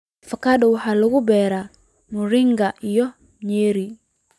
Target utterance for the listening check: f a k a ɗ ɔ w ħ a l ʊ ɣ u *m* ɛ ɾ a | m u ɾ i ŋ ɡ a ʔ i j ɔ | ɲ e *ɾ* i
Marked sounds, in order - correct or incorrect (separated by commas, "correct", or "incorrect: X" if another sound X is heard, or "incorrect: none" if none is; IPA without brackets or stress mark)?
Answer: incorrect: b, correct